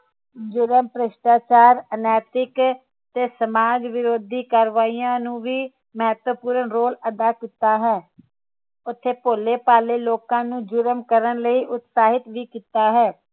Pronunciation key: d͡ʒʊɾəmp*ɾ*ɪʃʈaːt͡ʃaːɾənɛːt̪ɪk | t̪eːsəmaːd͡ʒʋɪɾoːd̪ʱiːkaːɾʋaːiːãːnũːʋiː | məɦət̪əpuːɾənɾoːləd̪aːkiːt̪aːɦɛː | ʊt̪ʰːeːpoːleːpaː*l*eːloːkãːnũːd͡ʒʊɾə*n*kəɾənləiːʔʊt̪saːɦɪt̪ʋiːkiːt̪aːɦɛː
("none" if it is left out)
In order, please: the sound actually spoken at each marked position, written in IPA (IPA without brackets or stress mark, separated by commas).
ɾ, l, m